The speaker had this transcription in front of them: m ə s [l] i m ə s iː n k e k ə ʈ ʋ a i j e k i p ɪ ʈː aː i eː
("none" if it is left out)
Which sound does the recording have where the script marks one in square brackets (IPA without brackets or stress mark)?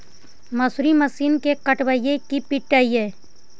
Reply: ɾ